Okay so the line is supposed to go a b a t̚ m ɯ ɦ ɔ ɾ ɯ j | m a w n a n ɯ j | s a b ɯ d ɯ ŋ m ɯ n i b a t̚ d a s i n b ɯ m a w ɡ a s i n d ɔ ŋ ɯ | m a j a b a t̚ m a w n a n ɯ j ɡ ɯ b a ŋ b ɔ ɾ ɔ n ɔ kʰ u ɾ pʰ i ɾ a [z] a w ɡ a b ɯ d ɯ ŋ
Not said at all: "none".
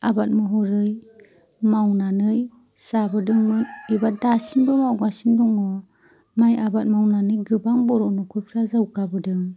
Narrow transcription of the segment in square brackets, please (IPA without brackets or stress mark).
z